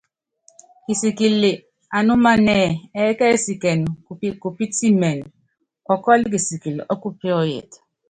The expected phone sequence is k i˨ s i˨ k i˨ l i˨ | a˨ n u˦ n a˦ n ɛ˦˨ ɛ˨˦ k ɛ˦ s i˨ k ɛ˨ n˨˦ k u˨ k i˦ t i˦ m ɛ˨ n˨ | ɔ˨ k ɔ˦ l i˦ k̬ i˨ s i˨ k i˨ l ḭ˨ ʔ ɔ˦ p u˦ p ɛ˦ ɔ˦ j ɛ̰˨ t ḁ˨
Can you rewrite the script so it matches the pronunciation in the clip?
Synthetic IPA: k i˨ s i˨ k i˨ l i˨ | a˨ n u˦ m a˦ n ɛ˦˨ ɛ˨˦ k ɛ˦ s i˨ k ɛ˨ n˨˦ k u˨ p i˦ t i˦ m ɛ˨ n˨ | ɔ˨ k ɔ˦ l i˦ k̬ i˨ s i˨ k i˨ l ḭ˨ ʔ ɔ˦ k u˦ p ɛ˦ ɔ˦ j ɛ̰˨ t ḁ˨